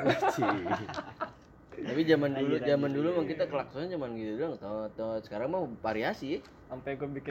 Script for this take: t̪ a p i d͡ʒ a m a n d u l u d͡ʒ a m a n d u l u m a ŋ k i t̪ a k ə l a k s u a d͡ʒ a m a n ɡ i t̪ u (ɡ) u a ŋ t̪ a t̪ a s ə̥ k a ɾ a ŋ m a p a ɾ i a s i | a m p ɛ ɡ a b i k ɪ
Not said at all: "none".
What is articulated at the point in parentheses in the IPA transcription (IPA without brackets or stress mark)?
d